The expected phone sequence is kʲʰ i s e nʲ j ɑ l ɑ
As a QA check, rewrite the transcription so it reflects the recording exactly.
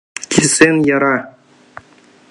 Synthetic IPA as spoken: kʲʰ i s e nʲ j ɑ ɾ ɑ